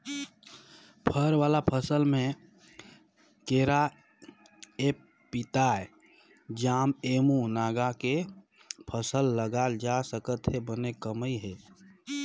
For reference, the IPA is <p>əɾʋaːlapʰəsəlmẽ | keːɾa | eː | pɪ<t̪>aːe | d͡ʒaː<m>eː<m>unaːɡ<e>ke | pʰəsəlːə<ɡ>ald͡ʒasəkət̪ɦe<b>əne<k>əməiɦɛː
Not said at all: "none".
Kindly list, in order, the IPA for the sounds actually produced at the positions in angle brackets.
pʰ, t̪, m, m, a, ɡ, b, k

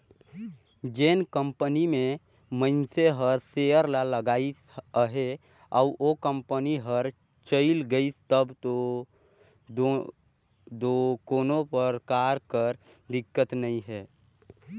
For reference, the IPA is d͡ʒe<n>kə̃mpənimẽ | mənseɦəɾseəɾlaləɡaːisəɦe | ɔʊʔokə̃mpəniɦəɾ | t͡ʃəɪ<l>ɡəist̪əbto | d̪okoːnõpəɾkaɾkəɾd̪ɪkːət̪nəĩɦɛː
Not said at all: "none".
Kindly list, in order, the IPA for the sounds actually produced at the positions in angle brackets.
n, l

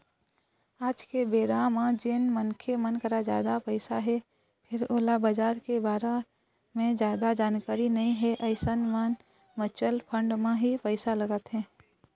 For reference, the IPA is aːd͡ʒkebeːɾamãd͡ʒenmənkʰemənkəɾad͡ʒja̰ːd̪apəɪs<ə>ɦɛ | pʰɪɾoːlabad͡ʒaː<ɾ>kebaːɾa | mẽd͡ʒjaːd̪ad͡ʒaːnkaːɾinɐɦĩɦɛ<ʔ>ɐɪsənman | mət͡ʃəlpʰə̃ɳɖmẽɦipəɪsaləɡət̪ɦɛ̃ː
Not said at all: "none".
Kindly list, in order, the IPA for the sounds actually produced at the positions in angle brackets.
a, ɾ, ʔ

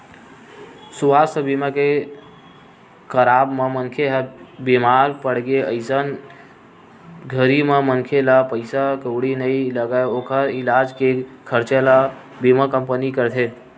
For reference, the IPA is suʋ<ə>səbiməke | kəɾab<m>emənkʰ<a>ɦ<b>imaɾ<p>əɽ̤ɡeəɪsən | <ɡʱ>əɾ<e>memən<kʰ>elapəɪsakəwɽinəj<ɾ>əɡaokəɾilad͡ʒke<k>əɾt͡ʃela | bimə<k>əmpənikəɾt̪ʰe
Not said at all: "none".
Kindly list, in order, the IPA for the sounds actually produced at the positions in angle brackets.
a, m, e, b, p, ɡʱ, i, kʰ, l, kʰ, k

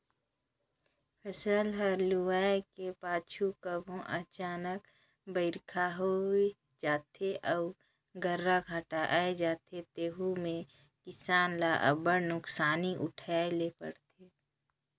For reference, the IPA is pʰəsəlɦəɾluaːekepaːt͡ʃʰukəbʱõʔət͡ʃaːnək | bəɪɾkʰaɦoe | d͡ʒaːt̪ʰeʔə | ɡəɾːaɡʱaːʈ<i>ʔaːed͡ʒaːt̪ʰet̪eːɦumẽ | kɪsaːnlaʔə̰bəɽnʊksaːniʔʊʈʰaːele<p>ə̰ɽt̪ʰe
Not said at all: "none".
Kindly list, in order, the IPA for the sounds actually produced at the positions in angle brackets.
a, p

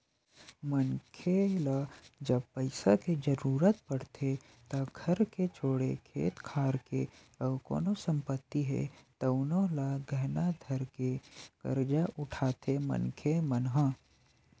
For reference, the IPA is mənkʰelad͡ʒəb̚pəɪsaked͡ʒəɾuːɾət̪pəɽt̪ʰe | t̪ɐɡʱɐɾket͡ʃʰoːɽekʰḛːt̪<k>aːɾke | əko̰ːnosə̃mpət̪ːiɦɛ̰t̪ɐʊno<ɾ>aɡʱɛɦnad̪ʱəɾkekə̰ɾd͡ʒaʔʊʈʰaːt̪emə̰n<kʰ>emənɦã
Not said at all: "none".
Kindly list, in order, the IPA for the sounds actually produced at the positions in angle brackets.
kʰ, l, kʰ

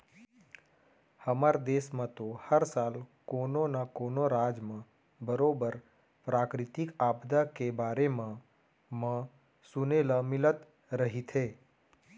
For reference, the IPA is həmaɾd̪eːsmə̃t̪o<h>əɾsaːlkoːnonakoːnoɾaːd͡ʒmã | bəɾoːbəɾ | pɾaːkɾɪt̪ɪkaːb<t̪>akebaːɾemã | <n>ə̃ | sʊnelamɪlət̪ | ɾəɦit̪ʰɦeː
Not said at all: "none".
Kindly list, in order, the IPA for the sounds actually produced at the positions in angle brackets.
h, d̪, m

